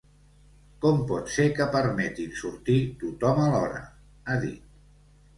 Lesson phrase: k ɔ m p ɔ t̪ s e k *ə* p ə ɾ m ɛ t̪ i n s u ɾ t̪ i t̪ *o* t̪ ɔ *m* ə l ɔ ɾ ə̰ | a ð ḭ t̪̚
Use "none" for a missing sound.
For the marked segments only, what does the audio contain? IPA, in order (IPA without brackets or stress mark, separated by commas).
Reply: ə, u, m